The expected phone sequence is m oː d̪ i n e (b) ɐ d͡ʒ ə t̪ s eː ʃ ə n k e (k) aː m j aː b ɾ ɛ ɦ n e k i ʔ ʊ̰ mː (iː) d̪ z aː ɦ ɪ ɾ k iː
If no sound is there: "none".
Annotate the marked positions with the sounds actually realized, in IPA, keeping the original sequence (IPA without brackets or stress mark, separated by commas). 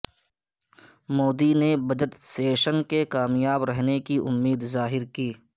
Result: b, k, iː